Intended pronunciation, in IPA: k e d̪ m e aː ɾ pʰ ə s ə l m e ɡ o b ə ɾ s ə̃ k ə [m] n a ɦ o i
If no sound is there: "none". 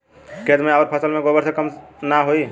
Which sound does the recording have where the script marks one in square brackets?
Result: m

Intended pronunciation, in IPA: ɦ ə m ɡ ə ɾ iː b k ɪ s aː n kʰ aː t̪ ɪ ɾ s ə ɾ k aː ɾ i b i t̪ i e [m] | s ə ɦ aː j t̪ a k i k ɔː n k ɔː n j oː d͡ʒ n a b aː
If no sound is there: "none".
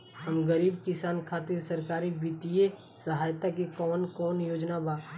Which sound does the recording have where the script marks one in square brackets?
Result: none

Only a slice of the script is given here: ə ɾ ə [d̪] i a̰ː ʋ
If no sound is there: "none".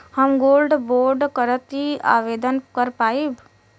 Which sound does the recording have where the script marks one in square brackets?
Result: t̪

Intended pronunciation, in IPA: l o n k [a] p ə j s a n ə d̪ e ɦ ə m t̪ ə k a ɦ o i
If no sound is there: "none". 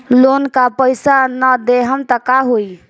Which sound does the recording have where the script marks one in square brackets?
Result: a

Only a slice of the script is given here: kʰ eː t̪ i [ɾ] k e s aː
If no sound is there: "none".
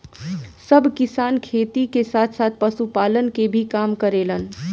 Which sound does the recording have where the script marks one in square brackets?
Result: none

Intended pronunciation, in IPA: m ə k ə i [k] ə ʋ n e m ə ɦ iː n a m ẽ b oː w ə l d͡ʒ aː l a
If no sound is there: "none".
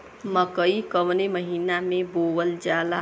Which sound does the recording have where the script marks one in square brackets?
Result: k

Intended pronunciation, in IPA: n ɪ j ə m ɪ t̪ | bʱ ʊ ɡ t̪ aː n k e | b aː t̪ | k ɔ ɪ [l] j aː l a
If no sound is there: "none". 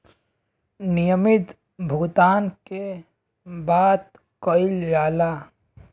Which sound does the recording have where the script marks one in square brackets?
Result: l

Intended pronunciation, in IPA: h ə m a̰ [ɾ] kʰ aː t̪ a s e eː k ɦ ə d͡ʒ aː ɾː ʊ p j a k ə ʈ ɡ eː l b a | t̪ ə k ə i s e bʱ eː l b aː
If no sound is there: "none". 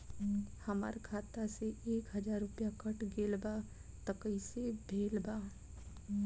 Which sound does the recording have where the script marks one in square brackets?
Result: ɾ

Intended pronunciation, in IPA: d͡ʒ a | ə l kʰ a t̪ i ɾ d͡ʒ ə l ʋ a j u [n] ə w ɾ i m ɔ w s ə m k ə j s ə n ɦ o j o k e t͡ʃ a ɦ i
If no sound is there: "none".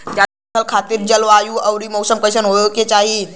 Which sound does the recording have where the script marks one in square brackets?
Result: none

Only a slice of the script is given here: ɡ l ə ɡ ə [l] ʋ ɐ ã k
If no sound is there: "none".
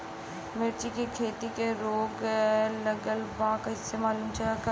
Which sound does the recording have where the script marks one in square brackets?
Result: l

